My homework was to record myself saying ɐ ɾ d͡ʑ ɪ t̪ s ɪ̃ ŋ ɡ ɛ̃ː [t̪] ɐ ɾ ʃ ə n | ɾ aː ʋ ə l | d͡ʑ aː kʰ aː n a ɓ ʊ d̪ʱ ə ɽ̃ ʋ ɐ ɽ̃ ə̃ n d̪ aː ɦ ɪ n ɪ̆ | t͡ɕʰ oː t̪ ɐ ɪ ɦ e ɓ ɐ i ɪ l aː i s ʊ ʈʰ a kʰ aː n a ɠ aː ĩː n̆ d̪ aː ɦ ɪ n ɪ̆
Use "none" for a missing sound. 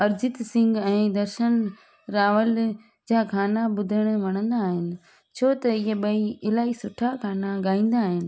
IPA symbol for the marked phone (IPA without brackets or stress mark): d̪